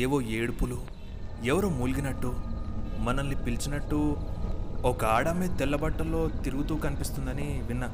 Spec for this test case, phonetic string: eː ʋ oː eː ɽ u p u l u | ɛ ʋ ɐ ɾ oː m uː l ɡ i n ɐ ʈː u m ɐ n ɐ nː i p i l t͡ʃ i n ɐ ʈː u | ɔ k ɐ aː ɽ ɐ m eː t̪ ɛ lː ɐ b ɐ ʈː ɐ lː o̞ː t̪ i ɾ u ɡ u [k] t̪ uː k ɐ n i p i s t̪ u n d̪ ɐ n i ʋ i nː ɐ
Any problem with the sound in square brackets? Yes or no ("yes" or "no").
yes